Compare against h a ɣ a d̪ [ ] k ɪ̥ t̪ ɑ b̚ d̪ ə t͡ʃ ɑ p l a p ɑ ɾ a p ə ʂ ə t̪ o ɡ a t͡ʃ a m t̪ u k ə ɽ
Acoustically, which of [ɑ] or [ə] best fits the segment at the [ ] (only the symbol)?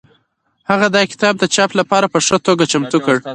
ɑ